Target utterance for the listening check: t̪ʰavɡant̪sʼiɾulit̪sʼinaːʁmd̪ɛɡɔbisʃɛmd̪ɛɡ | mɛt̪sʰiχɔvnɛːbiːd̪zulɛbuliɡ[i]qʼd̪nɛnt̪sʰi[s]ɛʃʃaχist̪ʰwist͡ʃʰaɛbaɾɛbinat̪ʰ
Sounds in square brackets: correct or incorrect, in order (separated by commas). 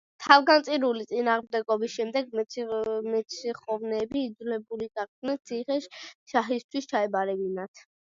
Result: incorrect, incorrect